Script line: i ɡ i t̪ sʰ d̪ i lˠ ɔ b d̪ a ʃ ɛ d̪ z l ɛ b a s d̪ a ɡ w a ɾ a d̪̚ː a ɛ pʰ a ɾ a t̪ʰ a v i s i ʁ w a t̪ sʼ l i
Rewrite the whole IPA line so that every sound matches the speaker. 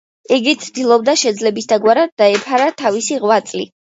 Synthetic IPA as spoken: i ɡ i t̪ sʰ d̪ i lˠ ɔ b d̪ a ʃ ɛ d̪ z l ɛ b i s d̪ a ɡ w a ɾ a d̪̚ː a ɛ pʰ a ɾ a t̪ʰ a v i s i ʁ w a t̪ sʼ l i